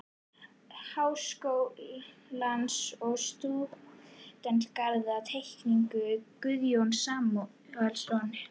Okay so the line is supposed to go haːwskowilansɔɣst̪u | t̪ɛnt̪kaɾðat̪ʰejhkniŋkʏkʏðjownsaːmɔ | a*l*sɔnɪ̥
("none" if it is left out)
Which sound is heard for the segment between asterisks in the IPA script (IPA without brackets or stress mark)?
l